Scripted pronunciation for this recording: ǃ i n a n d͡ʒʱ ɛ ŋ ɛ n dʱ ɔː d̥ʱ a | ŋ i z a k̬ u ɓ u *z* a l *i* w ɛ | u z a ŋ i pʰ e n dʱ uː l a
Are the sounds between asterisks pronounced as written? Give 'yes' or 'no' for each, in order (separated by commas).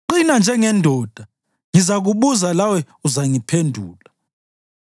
yes, no